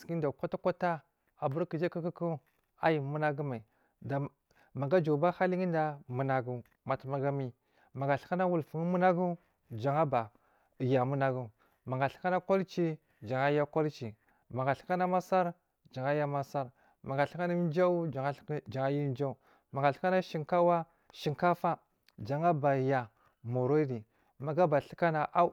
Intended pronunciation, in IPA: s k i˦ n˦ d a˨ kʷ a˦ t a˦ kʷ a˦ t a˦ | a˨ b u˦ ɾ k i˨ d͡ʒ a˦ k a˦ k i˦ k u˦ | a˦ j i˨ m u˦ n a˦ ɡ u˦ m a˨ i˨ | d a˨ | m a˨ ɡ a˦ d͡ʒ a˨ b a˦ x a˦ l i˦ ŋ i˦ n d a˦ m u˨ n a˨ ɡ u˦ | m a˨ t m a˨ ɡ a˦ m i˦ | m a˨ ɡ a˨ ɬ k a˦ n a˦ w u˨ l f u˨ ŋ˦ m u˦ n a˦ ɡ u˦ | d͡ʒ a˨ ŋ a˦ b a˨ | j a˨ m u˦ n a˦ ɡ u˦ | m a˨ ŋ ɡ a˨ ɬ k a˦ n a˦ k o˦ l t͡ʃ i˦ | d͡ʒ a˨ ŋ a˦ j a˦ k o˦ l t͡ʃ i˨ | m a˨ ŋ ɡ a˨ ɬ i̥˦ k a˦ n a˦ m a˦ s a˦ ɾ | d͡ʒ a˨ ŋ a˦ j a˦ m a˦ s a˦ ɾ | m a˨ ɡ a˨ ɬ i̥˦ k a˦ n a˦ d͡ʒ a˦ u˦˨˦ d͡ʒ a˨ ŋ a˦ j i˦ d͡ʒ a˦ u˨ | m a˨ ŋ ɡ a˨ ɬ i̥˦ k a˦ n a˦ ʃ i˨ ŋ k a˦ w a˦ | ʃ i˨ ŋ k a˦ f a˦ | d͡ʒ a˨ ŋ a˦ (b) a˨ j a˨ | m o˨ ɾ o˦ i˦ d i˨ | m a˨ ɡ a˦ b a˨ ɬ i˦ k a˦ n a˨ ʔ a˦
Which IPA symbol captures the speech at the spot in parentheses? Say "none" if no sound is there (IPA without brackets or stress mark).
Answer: b